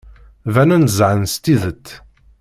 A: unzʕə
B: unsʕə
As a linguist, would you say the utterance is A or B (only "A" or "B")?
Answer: A